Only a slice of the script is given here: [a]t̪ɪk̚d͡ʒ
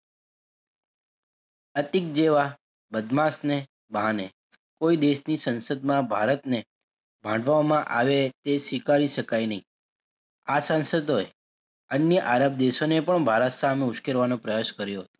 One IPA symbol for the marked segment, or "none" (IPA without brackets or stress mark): ə